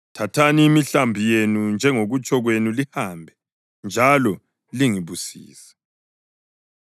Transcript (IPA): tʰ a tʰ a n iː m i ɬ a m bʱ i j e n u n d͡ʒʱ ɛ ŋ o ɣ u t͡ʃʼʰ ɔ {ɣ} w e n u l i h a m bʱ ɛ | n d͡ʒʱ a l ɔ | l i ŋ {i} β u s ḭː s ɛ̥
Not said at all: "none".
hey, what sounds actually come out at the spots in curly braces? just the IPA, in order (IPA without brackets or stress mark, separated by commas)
ɣ, i